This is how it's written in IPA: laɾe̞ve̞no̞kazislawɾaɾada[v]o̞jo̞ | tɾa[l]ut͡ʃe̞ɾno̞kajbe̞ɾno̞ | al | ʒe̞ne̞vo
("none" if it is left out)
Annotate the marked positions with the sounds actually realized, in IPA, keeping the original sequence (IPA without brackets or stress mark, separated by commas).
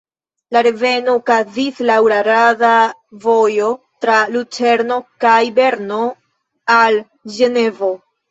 v, l